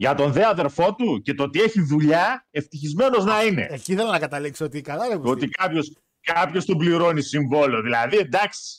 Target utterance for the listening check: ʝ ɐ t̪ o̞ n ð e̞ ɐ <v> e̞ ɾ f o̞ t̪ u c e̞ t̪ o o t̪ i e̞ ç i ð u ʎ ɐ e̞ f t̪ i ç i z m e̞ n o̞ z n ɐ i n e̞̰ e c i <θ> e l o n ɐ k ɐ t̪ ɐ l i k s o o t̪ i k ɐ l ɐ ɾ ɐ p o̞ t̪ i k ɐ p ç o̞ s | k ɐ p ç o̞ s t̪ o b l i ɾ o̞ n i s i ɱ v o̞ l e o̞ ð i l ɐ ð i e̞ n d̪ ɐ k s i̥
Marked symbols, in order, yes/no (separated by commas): no, yes